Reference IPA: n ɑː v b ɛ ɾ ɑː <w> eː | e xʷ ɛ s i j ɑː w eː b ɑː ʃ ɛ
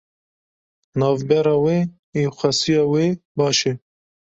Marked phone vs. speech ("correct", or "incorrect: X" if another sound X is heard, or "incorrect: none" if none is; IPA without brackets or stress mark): correct